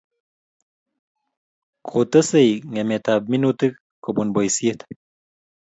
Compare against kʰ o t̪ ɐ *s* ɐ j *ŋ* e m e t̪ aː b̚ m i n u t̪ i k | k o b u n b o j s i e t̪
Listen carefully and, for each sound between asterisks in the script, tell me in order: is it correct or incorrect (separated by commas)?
correct, correct